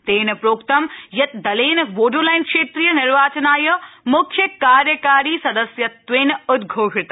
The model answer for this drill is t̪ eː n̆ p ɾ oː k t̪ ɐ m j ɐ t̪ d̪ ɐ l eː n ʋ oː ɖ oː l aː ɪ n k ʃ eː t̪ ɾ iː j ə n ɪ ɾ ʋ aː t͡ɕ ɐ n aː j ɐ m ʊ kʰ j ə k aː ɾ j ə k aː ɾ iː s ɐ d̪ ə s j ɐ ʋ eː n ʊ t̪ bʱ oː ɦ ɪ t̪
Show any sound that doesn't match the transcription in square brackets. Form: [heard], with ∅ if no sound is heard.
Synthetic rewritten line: t̪ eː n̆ p ɾ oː k t̪ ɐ m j ɐ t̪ d̪ ɐ l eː n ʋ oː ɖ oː l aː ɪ n k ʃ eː t̪ ɾ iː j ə n ɪ ɾ ʋ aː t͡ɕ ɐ n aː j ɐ m ʊ kʰ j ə k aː ɾ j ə k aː ɾ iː s ɐ d̪ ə s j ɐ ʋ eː n ʊ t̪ [ɡʱ] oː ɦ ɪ t̪

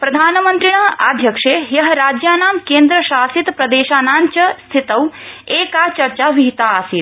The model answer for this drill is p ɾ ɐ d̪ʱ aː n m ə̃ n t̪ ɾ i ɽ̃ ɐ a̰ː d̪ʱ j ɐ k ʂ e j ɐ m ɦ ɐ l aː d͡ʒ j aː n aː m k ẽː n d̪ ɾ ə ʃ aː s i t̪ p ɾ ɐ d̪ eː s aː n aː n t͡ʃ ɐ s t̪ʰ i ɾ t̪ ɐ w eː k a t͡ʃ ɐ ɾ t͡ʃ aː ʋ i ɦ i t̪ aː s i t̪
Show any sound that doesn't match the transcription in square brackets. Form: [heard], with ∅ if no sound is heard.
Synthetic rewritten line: p ɾ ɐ d̪ʱ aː n m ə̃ n t̪ ɾ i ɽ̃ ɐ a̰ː d̪ʱ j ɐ k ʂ e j ɐ [∅] ɦ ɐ [ɾ] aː d͡ʒ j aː n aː m k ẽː n d̪ ɾ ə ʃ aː s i t̪ p ɾ ɐ d̪ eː [ʃ] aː n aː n t͡ʃ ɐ s t̪ʰ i [∅] t̪ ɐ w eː k a t͡ʃ ɐ ɾ t͡ʃ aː ʋ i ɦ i t̪ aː s i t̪

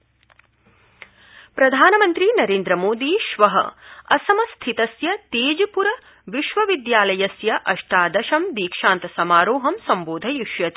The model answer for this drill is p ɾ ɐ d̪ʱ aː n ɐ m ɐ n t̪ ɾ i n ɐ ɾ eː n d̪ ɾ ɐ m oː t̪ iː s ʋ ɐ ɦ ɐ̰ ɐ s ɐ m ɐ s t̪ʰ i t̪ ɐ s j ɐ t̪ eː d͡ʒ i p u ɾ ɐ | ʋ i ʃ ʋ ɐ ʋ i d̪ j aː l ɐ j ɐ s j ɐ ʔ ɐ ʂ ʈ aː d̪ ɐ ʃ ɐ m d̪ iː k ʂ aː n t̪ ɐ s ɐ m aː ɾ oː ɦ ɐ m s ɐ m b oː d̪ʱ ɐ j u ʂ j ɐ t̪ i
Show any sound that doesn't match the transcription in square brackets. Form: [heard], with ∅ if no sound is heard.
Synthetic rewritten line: p ɾ ɐ d̪ʱ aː n ɐ m ɐ n t̪ ɾ i n ɐ ɾ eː n d̪ ɾ ɐ m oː [d̪] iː [ʃ] ʋ ɐ ɦ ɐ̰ ɐ s ɐ m ɐ s t̪ʰ i t̪ ɐ s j ɐ t̪ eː d͡ʒ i p u ɾ ɐ | ʋ i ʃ ʋ ɐ ʋ i d̪ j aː l ɐ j ɐ s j ɐ ʔ ɐ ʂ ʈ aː d̪ ɐ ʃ ɐ m d̪ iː k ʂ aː n t̪ ɐ s ɐ m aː ɾ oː ɦ ɐ m s ɐ m b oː d̪ʱ ɐ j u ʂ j ɐ t̪ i

